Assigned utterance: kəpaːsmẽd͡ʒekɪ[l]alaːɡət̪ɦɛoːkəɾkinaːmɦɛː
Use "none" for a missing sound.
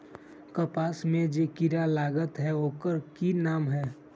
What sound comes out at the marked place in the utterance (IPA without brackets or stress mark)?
ɾ